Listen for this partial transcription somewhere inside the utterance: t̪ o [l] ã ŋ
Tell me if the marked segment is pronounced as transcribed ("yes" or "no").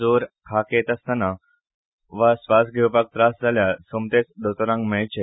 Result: no